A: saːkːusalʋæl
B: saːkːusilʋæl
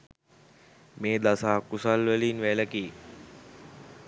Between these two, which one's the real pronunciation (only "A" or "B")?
A